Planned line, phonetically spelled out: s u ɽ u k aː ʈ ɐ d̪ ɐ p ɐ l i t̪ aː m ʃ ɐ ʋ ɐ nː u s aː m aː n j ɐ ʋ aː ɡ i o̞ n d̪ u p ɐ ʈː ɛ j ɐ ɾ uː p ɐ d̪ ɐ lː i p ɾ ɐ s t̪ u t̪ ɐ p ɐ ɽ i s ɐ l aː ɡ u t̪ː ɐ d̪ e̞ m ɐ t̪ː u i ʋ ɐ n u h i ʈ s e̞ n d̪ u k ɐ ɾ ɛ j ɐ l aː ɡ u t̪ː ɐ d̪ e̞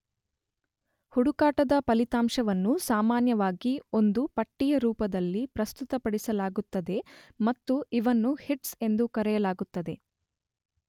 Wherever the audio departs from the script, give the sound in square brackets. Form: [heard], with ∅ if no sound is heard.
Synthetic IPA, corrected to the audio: [h] u ɽ u k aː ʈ ɐ d̪ ɐ p ɐ l i t̪ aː m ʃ ɐ ʋ ɐ nː u s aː m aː n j ɐ ʋ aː ɡ i o̞ n d̪ u p ɐ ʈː [i] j ɐ ɾ uː p ɐ d̪ ɐ lː i p ɾ ɐ s t̪ u t̪ ɐ p ɐ ɽ i s ɐ l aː ɡ u t̪ː ɐ d̪ e̞ m ɐ t̪ː u i ʋ ɐ [nː] u h i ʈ s e̞ n d̪ u k ɐ ɾ ɛ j ɐ l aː ɡ u t̪ː ɐ d̪ e̞